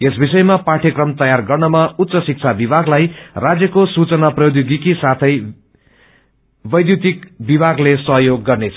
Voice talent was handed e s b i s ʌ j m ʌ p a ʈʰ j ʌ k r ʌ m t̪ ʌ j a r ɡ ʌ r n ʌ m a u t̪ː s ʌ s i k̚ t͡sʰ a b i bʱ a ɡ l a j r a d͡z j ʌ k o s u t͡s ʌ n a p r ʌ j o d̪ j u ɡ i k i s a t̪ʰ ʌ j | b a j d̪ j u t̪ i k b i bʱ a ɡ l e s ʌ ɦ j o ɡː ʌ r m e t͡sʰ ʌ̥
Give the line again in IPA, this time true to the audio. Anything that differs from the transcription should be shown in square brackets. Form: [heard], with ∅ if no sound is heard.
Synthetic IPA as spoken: e s b i s ʌ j m [a] p a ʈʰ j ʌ k r ʌ m t̪ ʌ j a r ɡ ʌ r n ʌ m a u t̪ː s ʌ s i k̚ t͡sʰ a b i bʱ a ɡ l a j r a d͡z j ʌ k o s u t͡s ʌ n a p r ʌ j o d̪ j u ɡ i k i s a t̪ʰ ʌ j | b [ʌ] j d̪ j u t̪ i k b i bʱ a ɡ l e s ʌ ɦ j o ɡː ʌ r [n] e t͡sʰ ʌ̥